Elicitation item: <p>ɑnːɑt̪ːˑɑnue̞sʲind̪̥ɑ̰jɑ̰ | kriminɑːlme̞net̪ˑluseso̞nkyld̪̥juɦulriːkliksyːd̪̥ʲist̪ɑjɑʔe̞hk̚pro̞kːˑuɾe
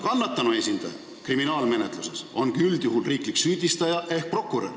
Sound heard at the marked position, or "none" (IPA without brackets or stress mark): k